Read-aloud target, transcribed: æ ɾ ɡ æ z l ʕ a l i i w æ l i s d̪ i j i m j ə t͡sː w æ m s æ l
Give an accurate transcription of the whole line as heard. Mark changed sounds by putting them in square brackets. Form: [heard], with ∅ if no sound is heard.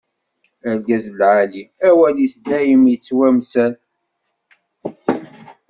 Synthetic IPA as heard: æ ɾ ɡ æ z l ʕ a l i [æ] w æ l i s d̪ [æ] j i m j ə t͡sː w æ m s æ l